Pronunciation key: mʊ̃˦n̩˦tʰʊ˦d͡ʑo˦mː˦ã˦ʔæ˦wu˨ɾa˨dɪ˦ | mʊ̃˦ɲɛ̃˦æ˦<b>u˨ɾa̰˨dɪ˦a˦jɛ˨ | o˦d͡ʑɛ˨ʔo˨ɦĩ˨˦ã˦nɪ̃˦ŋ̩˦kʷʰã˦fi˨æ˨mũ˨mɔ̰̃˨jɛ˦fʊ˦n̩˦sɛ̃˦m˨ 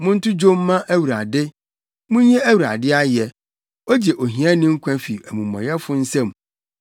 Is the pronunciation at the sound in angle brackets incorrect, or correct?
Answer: incorrect